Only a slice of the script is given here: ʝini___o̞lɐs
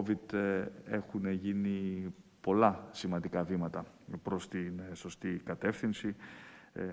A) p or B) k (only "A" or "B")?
A